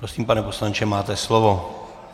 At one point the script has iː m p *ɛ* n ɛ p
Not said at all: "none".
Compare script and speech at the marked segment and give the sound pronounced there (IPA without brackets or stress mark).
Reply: a